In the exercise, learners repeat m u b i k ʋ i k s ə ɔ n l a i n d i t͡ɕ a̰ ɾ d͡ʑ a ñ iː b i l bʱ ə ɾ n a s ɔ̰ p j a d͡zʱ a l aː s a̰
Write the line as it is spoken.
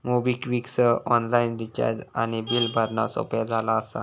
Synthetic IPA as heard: m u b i k ʋ i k s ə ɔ n l a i n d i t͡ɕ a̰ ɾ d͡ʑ a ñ i b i l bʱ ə ɾ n a s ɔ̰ p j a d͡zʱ a l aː s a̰